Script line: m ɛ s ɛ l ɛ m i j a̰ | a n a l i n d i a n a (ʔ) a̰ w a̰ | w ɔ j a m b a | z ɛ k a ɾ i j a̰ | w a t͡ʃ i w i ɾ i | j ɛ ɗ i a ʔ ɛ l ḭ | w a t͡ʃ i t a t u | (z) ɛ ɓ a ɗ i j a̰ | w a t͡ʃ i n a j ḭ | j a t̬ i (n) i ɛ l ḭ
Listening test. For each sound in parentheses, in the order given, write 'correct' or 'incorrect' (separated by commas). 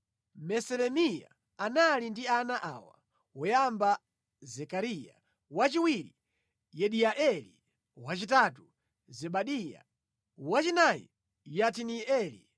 correct, correct, correct